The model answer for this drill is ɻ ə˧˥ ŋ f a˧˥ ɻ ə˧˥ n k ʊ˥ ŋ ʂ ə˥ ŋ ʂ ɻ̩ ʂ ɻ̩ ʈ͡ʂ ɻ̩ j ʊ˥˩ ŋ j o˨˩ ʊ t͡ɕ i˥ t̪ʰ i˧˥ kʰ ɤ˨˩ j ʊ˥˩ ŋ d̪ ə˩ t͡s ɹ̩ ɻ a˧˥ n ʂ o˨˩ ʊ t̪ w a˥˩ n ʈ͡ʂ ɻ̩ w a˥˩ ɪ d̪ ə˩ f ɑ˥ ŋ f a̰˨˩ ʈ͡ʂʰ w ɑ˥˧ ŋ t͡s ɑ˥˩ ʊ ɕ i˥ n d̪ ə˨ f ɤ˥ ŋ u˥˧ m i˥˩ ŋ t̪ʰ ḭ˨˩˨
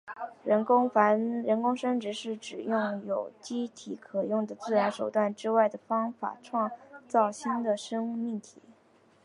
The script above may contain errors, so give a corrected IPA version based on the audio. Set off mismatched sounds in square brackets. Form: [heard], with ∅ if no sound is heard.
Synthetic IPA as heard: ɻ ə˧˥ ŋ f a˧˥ ɻ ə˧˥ n k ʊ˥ ŋ ʂ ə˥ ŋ [ʈ͡ʂ] ɻ̩ ʂ ɻ̩ ʈ͡ʂ ɻ̩ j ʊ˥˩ ŋ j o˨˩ ʊ t͡ɕ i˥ t̪ʰ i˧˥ kʰ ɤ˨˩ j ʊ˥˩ ŋ d̪ ə˩ t͡s ɹ̩ ɻ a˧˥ n ʂ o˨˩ ʊ t̪ w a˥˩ n ʈ͡ʂ ɻ̩ w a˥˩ ɪ d̪ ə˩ f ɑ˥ ŋ f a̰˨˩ ʈ͡ʂʰ w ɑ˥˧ ŋ t͡s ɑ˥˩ ʊ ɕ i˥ n d̪ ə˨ [ʂ] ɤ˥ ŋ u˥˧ m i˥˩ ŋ t̪ʰ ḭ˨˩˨